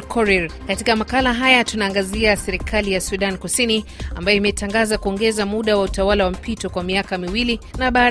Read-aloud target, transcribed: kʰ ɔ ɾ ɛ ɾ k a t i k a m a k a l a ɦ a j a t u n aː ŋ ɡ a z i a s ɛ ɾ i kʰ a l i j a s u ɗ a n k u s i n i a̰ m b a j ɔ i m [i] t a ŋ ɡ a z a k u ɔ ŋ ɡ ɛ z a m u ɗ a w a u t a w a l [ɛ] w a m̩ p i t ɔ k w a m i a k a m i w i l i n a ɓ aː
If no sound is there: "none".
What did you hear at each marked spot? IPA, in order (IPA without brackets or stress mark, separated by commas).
ɛ, a